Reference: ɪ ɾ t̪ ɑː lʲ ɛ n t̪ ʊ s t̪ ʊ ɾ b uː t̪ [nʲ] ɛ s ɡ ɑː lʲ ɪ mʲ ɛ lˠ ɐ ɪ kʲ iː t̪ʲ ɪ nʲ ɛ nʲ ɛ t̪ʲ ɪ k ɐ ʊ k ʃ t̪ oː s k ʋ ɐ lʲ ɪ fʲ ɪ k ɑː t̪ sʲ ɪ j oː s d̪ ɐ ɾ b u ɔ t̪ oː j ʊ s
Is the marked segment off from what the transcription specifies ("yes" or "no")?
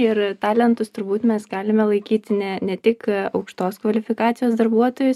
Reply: yes